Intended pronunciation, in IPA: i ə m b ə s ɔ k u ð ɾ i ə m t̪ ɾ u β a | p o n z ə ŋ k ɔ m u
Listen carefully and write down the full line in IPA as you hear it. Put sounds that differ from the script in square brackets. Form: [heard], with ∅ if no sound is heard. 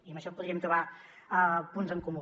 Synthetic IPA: i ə m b ə [ʃ] ɔ [p] u ð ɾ i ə m t̪ ɾ u β a | p [u] n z ə ŋ k [u] m u